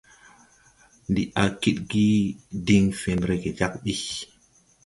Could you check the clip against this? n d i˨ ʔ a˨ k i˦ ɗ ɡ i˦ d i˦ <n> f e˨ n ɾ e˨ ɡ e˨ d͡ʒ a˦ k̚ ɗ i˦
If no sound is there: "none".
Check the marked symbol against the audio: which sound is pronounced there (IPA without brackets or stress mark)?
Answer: ŋ